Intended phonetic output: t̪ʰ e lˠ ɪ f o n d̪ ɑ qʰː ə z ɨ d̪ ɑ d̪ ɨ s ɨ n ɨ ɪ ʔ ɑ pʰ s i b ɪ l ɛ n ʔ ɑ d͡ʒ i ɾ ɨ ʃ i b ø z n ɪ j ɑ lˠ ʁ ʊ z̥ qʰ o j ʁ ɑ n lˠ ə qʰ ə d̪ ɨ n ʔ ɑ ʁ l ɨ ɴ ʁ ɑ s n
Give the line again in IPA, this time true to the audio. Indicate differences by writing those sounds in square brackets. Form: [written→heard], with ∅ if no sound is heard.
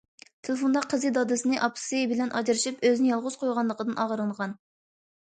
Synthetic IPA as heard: t̪ʰ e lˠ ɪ f o n d̪ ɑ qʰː ə z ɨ d̪ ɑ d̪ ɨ s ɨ n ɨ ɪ ʔ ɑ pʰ s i b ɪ l ɛ n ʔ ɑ d͡ʒ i ɾ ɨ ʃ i [b→p] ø z n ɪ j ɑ lˠ ʁ ʊ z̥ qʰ o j ʁ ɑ n lˠ ə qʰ ə d̪ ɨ n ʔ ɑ ʁ [l→ɾ] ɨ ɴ ʁ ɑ [s→∅] n